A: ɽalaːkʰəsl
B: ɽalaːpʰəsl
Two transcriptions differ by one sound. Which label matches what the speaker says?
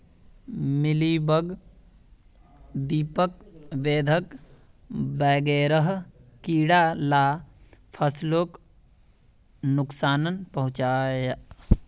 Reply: B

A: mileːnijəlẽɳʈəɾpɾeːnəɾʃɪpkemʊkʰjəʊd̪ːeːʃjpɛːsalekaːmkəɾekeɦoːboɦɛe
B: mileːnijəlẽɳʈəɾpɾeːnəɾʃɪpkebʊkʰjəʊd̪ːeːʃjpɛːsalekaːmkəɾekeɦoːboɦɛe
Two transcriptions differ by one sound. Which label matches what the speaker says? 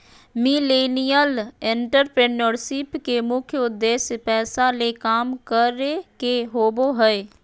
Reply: A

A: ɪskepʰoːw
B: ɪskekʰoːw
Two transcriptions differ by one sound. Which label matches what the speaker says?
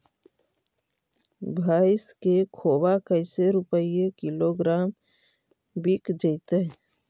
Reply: B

